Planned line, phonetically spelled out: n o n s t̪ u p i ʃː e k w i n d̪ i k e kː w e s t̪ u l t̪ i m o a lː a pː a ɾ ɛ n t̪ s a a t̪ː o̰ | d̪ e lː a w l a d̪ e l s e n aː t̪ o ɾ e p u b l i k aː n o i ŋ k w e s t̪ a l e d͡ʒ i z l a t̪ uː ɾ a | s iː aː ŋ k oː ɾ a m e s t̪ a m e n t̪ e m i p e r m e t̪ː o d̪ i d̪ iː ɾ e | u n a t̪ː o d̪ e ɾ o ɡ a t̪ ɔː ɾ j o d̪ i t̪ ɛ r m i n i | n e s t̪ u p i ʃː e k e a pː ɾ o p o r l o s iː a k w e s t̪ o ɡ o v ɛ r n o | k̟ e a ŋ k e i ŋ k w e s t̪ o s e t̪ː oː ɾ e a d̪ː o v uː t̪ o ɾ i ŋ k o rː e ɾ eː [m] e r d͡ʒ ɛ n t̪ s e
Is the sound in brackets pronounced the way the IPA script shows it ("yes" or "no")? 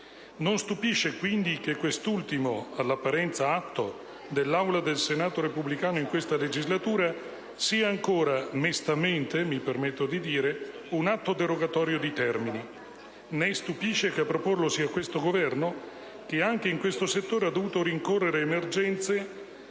yes